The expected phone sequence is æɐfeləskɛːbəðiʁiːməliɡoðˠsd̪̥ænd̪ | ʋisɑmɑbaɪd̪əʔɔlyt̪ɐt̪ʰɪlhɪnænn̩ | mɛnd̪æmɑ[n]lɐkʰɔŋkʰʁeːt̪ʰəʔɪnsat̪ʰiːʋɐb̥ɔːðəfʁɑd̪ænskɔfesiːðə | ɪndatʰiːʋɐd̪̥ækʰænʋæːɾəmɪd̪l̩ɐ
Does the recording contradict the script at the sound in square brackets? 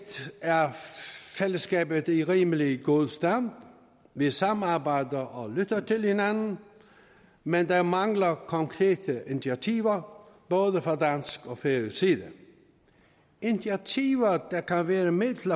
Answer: yes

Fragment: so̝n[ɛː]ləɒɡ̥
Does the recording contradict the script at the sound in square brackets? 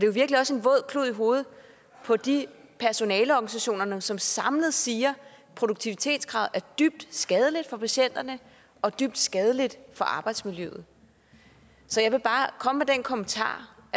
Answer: no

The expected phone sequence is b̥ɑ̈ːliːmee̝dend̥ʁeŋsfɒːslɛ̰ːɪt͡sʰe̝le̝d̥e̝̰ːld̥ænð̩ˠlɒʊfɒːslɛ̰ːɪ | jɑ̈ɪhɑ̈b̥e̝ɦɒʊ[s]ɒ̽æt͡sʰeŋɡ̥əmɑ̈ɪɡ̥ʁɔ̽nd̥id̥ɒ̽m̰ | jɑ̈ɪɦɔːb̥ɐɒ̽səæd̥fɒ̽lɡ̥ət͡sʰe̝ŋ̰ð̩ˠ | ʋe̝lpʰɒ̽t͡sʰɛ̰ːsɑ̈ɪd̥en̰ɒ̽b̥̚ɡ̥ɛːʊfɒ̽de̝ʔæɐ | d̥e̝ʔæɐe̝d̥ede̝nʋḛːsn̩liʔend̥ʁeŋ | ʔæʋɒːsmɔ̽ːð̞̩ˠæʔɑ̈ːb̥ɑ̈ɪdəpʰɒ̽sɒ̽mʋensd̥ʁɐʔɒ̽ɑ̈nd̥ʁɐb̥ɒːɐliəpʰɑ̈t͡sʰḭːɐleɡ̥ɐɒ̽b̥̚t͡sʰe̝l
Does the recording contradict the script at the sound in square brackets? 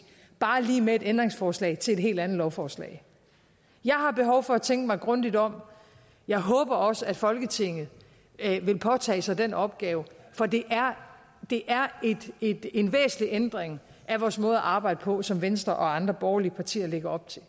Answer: yes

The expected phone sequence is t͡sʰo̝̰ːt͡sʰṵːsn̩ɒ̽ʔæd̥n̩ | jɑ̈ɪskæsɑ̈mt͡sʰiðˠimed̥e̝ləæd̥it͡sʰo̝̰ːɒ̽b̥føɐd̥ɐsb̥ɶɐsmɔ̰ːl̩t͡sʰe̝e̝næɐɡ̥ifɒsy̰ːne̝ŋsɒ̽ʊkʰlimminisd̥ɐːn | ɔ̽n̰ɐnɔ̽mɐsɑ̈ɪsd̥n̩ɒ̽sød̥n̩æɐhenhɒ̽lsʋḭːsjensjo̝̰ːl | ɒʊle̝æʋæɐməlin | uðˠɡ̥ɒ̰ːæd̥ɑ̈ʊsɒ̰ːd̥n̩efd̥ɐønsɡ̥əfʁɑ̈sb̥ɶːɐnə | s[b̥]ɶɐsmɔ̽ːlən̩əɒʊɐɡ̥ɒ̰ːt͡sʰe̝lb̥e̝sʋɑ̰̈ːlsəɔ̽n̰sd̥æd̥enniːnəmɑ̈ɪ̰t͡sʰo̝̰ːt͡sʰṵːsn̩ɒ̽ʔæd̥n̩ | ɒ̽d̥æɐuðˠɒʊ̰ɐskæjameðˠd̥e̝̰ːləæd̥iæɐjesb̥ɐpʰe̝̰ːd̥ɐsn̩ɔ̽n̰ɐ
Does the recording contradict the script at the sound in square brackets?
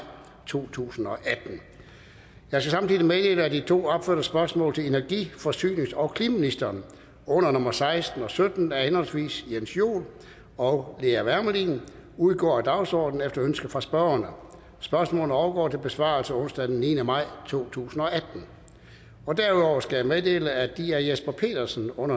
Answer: no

